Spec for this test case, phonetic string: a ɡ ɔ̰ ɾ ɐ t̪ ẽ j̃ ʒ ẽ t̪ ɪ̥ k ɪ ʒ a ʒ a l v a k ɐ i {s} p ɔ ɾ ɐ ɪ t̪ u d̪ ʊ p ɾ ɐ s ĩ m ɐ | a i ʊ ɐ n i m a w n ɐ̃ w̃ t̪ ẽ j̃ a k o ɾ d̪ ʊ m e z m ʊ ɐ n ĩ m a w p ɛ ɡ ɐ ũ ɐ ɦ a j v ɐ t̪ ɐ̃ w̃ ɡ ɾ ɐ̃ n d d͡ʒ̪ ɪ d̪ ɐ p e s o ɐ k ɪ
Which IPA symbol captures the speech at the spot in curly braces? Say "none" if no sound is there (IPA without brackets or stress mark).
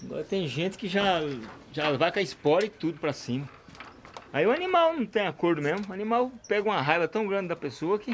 s